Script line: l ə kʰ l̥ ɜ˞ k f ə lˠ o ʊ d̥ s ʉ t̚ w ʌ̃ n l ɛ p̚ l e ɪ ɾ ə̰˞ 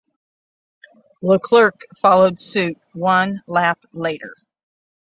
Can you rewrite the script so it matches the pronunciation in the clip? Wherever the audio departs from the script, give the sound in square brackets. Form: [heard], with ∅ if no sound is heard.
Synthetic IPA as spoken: l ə kʰ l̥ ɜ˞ k f [ɑ] lˠ o ʊ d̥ s ʉ t̚ w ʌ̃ n l [æ] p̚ l e ɪ ɾ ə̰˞